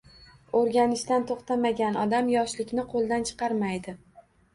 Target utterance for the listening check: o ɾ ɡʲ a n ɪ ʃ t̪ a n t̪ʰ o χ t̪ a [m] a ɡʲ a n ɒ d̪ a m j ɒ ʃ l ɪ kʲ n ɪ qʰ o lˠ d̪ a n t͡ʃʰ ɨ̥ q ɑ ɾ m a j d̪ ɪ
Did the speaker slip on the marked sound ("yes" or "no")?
no